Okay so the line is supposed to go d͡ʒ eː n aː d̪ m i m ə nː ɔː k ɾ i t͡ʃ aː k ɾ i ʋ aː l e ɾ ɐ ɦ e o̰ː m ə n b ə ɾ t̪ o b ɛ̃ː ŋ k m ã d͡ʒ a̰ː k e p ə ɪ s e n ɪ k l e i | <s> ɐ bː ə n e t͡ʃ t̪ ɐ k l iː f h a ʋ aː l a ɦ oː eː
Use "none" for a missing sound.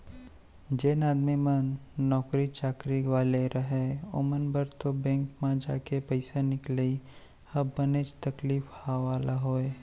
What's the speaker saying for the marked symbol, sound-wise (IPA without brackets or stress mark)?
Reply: h